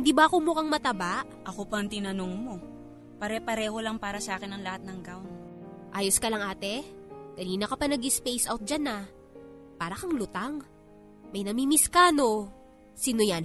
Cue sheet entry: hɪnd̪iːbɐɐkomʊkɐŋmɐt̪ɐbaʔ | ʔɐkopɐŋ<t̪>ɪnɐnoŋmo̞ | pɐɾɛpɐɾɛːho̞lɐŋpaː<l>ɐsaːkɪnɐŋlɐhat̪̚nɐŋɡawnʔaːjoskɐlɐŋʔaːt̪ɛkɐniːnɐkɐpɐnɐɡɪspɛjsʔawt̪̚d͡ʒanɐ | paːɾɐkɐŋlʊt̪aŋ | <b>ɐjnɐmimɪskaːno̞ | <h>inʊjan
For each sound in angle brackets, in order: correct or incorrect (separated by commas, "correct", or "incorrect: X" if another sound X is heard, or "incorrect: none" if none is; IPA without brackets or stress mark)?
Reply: correct, incorrect: ɾ, incorrect: m, incorrect: s